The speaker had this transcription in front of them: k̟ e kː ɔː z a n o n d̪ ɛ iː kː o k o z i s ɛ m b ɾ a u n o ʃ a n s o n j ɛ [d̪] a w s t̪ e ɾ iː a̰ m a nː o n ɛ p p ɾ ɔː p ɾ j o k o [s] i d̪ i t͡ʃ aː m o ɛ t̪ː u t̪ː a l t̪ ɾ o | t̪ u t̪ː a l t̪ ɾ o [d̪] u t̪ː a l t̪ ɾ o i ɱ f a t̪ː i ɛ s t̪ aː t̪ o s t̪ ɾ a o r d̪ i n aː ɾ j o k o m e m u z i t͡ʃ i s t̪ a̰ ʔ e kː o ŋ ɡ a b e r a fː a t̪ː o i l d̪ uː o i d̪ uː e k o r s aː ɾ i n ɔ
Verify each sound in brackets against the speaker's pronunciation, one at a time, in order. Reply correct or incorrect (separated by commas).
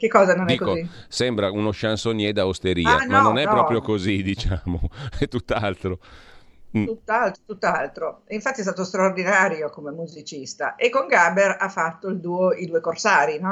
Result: correct, incorrect, incorrect